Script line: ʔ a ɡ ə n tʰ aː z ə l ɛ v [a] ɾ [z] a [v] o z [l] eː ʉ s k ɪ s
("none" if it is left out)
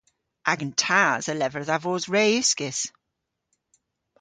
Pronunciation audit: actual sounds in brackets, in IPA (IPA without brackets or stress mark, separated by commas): ə, ð, v, ɹ